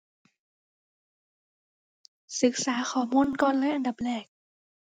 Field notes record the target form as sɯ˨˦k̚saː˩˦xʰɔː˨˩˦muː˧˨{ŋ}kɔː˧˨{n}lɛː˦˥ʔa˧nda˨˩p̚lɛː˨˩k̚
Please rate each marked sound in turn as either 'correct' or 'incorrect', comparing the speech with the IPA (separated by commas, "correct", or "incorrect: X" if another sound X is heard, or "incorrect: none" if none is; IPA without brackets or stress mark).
incorrect: n, correct